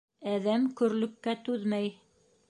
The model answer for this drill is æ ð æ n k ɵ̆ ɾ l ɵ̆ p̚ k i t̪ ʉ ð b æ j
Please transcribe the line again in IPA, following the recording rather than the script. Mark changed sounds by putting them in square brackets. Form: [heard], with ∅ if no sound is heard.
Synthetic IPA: æ ð æ [m] k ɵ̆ ɾ l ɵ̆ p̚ k [æ] t̪ ʉ ð [m] æ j